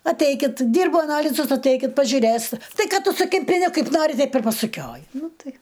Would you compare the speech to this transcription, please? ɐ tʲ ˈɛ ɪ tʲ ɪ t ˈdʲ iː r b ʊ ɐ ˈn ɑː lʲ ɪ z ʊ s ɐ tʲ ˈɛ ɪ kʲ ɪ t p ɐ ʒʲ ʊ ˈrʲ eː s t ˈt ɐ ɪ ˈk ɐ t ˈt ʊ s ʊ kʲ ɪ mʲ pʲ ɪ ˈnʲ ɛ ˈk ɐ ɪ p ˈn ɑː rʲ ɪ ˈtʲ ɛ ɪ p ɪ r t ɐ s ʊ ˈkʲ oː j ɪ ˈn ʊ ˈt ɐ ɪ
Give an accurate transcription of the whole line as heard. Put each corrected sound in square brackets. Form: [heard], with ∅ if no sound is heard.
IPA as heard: ɐ tʲ ˈɛ ɪ [kʲ] ɪ t ˈdʲ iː r b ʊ ɐ ˈn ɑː lʲ ɪ z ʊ s ɐ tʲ ˈɛ ɪ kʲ ɪ t p ɐ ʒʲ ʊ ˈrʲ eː s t ˈt ɐ ɪ ˈk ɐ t ˈt ʊ s ʊ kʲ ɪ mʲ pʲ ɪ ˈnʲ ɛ ˈk ɐ ɪ p ˈn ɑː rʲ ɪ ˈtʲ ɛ ɪ p ɪ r [p] ɐ s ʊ ˈkʲ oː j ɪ ˈn ʊ ˈt ɐ ɪ

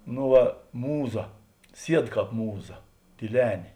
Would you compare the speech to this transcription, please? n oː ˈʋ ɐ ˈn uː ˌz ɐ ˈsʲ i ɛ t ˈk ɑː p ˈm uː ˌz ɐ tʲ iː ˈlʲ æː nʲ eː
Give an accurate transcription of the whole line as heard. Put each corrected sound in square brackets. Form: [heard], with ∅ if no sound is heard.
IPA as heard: n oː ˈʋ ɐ [ˈm] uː ˌz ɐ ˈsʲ i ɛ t ˈk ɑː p ˈm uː ˌz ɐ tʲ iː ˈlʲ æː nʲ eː

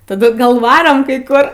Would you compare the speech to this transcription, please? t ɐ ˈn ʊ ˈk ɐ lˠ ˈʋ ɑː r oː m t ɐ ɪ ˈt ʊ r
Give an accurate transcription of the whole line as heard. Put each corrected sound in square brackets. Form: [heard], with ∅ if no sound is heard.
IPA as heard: t ɐ [ˈd] ʊ [ˈɡ] ɐ lˠ ˈʋ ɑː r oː m [k] ɐ ɪ [ˈk] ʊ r

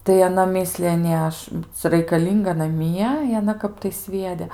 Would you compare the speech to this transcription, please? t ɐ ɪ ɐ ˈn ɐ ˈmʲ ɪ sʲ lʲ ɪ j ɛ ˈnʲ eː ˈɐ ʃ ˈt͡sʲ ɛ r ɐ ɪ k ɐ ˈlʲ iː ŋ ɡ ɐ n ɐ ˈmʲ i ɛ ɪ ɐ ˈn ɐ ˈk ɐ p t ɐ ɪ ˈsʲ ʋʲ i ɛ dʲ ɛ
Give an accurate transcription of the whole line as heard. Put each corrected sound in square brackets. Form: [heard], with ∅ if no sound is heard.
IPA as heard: t ɐ ɪ ɐ ˈn ɐ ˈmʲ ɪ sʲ lʲ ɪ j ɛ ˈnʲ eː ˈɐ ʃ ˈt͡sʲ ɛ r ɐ ɪ k ɐ ˈlʲ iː ŋ ɡ ɐ n ɐ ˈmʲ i ɛ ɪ ɐ ˈn ɐ ˈk ɐ p t ɐ ɪ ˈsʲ ʋʲ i ɛ dʲ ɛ

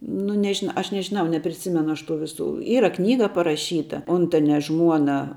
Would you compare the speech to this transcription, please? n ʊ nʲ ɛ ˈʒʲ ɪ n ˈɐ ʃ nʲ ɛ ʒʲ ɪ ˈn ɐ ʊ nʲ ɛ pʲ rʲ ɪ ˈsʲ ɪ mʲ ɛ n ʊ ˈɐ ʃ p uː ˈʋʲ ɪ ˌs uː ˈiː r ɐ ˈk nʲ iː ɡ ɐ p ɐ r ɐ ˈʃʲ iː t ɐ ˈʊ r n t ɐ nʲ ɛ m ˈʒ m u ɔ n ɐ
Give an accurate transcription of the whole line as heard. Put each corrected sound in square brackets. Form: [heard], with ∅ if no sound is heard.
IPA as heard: n ʊ nʲ ɛ ˈʒʲ ɪ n ˈɐ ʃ nʲ ɛ ʒʲ ɪ ˈn ɐ ʊ nʲ ɛ pʲ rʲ ɪ ˈsʲ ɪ mʲ ɛ n ʊ ˈɐ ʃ [t] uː ˈʋʲ ɪ ˌs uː ˈiː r ɐ ˈk nʲ iː ɡ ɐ p ɐ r ɐ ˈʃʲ iː t ɐ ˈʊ [∅] n t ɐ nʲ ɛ [∅] ˈʒ m u ɔ n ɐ

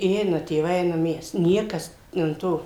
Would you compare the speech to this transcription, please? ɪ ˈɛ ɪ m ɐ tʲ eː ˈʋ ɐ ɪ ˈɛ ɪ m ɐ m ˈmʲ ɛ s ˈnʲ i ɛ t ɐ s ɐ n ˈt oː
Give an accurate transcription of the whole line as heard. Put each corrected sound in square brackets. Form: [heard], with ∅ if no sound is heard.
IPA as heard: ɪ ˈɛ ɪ [n] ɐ tʲ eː ˈʋ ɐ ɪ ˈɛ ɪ [n] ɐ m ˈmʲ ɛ s ˈnʲ i ɛ [k] ɐ s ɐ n ˈt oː

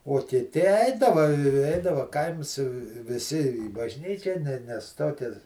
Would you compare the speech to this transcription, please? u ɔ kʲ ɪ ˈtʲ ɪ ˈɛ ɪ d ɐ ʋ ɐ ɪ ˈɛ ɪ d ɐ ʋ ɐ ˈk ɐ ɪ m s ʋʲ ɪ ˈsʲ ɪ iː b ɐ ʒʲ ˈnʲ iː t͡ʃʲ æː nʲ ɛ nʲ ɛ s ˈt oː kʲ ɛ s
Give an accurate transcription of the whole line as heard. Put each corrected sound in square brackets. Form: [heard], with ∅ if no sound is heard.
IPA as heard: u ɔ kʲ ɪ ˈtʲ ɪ ˈɛ ɪ d ɐ ʋ ɐ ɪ ˈɛ ɪ d ɐ ʋ ɐ ˈk ɐ ɪ m s ʋʲ ɪ ˈsʲ ɪ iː b ɐ ʒʲ ˈnʲ iː t͡ʃʲ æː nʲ ɛ nʲ ɛ s ˈt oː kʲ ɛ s

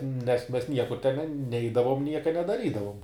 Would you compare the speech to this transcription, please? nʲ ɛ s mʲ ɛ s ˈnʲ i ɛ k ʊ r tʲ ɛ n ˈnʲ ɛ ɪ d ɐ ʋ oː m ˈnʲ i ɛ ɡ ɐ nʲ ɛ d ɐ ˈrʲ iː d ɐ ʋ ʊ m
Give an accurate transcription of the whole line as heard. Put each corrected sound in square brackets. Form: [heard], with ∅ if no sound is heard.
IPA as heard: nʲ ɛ s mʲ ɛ s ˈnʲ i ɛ k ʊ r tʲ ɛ n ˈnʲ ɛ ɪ d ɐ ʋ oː m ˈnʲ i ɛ [k] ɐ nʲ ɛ d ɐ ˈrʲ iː d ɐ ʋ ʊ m

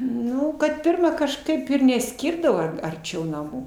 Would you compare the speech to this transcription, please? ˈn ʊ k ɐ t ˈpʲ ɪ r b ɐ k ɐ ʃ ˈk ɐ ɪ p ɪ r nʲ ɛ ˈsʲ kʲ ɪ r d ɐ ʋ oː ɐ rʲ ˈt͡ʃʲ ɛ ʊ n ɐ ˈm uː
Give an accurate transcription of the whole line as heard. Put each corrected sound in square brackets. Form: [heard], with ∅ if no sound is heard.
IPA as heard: ˈn ʊ k ɐ t ˈpʲ ɪ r [m] ɐ k ɐ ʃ ˈk ɐ ɪ p ɪ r nʲ ɛ ˈsʲ kʲ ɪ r d ɐ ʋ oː ɐ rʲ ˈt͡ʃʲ ɛ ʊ n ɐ ˈm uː

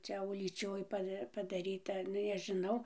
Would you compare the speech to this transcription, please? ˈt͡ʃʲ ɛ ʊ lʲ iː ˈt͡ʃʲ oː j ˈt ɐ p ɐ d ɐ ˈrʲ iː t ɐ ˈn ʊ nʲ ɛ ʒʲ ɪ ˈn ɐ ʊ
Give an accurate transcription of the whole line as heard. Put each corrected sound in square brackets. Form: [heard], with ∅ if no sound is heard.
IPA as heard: ˈt͡ʃʲ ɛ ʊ lʲ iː ˈt͡ʃʲ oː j [ˈp] ɐ p ɐ d ɐ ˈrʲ iː t ɐ ˈn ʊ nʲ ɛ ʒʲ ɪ ˈn ɐ ʊ

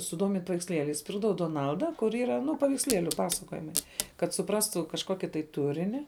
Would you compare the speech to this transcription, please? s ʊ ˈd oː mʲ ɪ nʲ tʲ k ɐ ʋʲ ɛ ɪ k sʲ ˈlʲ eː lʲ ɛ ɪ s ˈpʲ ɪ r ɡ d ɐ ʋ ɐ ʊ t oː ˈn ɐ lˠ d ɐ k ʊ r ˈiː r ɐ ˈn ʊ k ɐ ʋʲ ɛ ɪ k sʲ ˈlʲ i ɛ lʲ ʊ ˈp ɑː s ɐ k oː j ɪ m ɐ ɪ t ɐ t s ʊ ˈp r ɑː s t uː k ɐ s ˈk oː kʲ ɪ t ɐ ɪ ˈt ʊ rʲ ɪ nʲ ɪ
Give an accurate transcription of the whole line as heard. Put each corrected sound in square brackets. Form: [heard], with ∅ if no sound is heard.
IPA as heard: s ʊ ˈd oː mʲ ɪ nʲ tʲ [p] ɐ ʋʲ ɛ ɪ k sʲ ˈlʲ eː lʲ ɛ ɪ s ˈpʲ ɪ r ɡ d ɐ ʋ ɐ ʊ [d] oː ˈn ɐ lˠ d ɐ k ʊ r ˈiː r ɐ ˈn ʊ [p] ɐ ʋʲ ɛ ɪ k sʲ ˈlʲ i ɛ lʲ ʊ ˈp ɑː s ɐ k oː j ɪ m ɐ ɪ [k] ɐ t s ʊ ˈp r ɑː s t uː k ɐ [ʃ] ˈk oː kʲ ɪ t ɐ ɪ ˈt ʊ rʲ ɪ nʲ ɪ

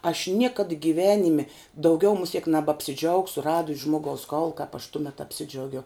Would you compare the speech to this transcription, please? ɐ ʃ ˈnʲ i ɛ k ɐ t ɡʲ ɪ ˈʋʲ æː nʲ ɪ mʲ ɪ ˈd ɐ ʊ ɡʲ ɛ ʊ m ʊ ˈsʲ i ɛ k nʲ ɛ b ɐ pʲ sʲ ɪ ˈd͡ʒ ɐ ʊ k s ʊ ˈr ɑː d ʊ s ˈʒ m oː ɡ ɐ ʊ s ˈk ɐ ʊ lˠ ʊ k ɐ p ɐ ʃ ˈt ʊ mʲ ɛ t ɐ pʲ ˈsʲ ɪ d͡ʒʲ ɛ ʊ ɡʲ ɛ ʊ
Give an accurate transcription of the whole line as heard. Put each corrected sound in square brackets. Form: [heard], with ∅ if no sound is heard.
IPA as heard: ɐ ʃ ˈnʲ i ɛ k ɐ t ɡʲ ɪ ˈʋʲ æː nʲ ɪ mʲ ɪ ˈd ɐ ʊ ɡʲ ɛ ʊ m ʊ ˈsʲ i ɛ k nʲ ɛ b ɐ pʲ sʲ ɪ ˈd͡ʒ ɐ ʊ k s ʊ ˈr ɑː d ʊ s ˈʒ m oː ɡ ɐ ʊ s ˈk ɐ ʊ lˠ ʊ k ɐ p ɐ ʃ ˈt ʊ mʲ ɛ t ɐ pʲ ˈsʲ ɪ d͡ʒʲ ɛ ʊ ɡʲ ɛ ʊ

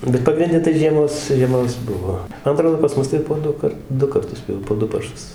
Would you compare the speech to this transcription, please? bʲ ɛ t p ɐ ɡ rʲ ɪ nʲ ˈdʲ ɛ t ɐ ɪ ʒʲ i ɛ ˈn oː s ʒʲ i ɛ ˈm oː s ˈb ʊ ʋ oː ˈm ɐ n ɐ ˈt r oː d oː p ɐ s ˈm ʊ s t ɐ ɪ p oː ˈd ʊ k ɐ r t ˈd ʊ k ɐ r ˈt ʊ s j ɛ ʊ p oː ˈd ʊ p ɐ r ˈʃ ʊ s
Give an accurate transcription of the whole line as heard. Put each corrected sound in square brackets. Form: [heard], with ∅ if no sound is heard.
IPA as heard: bʲ ɛ t p ɐ ɡ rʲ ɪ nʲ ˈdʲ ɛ t ɐ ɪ ʒʲ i ɛ [ˈm] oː s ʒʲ i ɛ ˈm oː s ˈb ʊ ʋ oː ˈm ɐ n ɐ ˈt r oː d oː p ɐ s ˈm ʊ s t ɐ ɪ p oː ˈd ʊ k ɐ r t ˈd ʊ k ɐ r ˈt ʊ s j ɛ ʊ p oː ˈd ʊ p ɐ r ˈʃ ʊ s

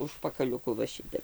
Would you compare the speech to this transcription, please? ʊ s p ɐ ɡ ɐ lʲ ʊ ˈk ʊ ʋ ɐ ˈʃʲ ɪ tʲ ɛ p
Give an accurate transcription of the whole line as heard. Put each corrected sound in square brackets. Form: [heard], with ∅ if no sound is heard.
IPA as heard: ʊ [ʃ] p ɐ [k] ɐ lʲ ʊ ˈk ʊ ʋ ɐ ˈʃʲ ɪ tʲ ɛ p

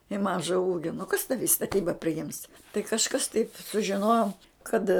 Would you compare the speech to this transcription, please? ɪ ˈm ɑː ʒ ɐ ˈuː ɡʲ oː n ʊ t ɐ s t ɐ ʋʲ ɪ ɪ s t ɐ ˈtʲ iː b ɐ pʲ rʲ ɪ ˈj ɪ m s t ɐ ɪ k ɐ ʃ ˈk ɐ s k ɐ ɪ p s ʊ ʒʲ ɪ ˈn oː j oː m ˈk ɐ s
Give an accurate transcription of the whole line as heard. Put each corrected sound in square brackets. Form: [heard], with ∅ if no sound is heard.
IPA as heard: ɪ ˈm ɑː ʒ ɐ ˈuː ɡʲ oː n ʊ [k] ɐ s t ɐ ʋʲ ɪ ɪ s t ɐ ˈtʲ iː b ɐ pʲ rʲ ɪ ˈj ɪ m s t ɐ ɪ k ɐ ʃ ˈk ɐ s [t] ɐ ɪ p s ʊ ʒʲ ɪ ˈn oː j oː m ˈk ɐ [t]

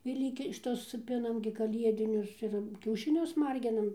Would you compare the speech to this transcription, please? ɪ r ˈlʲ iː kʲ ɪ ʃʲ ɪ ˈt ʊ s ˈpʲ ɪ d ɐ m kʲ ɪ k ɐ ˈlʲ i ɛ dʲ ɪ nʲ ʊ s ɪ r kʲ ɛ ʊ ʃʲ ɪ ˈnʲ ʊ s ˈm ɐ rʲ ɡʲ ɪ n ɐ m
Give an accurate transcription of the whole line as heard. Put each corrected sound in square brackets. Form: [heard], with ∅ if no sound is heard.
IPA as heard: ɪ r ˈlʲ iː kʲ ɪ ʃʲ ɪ ˈt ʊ s ˈpʲ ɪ [n] ɐ m [ɡʲ] ɪ k ɐ ˈlʲ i ɛ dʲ ɪ nʲ ʊ s ɪ r kʲ ɛ ʊ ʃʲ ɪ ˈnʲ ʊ s ˈm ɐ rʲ ɡʲ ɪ n ɐ m

